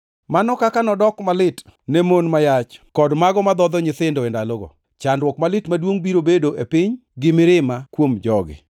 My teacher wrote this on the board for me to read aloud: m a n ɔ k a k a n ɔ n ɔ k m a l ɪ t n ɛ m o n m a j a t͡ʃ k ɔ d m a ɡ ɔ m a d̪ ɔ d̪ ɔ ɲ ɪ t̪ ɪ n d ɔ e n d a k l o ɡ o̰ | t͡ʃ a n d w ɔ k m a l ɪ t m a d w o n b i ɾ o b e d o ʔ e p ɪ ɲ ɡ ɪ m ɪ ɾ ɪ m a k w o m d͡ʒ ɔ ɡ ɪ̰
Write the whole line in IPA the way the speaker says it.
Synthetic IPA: m a n ɔ k a k a n ɔ d ɔ k m a l ɪ t n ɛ m o n m a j a t͡ʃ k ɔ d m a ɡ ɔ m a d̪ ɔ d̪ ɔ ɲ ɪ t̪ ɪ n d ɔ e n d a l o ɡ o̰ | t͡ʃ a n d w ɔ k m a l ɪ t m a d w o ŋ b i ɾ o b e d o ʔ e p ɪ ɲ ɡ ɪ m ɪ ɾ ɪ m a k w o m d͡ʒ ɔ ɡ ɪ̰